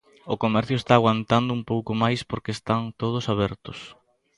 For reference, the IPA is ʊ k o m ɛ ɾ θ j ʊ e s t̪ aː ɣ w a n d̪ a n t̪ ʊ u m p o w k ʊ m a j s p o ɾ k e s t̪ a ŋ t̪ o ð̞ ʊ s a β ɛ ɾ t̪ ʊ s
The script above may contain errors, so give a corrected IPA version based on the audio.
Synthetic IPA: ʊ k o m ɛ ɾ θ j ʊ e s t̪ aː ɣ w a n t̪ a n d̪ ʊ u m p o w k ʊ m a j s p o ɾ k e s t̪ a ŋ t̪ o ð̞ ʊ s a β ɛ ɾ t̪ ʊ s